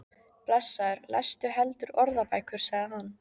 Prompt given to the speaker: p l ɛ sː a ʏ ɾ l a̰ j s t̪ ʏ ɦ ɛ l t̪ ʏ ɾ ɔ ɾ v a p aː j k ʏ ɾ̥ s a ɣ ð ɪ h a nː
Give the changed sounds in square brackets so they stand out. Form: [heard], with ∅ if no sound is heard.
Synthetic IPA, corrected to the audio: p l ɛ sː a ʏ ɾ l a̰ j s t̪ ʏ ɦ ɛ l t̪ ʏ ɾ ɔ ɾ [ð] a p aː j k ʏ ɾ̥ s a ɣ ð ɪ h a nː